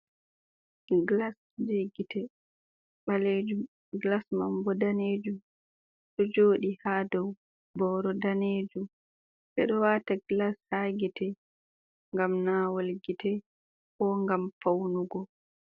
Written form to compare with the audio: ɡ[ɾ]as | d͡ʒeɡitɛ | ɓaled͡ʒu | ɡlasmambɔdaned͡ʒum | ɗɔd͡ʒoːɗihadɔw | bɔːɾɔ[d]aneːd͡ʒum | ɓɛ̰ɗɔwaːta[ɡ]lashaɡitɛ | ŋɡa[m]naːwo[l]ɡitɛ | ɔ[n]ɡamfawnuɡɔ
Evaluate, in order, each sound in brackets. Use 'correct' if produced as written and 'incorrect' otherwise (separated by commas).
incorrect, correct, correct, correct, correct, incorrect